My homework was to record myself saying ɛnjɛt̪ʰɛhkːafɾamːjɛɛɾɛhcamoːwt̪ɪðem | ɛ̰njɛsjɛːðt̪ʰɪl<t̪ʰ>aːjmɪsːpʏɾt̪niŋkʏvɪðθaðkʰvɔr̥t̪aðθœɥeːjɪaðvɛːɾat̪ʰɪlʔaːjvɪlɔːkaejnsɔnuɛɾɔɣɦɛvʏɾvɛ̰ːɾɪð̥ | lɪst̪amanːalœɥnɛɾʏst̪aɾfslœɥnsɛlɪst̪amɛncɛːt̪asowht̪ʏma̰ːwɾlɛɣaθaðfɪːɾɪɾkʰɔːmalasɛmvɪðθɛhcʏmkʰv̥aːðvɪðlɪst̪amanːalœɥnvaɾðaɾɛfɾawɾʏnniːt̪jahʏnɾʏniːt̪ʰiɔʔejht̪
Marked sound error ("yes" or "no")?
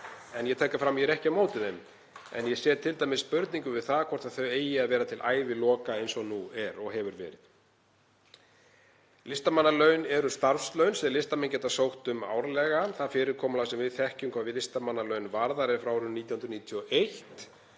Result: yes